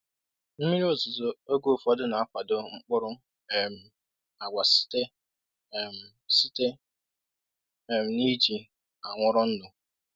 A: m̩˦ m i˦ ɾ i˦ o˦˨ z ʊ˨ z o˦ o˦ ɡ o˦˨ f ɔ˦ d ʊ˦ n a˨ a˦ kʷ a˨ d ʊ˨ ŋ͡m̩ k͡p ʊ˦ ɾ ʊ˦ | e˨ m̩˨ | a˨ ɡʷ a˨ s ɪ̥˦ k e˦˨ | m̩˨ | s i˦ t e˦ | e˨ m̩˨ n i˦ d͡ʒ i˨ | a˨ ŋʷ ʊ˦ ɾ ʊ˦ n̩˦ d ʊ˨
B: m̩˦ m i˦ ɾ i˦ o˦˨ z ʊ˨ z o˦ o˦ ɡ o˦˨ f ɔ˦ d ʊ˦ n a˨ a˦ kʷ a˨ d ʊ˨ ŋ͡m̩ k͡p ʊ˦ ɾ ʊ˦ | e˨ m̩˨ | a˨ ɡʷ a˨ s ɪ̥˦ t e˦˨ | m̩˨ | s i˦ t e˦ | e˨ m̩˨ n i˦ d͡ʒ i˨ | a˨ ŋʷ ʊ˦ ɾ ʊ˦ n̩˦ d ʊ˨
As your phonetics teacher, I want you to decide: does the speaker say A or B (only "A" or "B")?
B